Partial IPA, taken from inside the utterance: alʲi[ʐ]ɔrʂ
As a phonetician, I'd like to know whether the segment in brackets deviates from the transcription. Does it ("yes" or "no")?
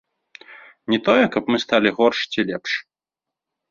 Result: yes